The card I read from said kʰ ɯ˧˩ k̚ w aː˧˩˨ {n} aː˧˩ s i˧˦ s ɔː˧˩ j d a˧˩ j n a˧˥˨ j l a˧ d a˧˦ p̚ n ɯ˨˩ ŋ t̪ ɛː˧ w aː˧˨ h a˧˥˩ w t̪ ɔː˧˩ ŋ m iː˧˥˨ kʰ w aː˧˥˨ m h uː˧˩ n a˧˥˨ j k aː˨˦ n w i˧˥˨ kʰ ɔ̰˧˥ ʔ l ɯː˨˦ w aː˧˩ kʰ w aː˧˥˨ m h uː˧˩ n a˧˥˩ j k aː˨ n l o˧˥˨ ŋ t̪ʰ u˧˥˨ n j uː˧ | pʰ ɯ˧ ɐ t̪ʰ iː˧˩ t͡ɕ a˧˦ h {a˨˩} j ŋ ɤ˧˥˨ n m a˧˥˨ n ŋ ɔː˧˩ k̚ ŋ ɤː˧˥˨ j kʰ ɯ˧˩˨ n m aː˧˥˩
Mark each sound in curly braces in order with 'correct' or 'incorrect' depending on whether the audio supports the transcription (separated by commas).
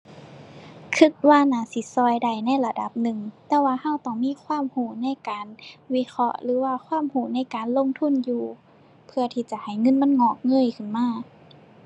correct, correct